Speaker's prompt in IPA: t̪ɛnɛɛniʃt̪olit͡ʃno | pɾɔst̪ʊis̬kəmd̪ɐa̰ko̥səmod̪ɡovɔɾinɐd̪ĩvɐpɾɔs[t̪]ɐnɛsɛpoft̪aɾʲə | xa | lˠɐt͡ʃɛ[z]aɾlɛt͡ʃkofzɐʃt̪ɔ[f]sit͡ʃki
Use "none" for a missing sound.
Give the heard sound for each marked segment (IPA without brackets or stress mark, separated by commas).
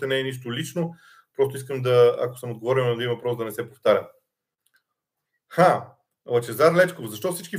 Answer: d̪, z, f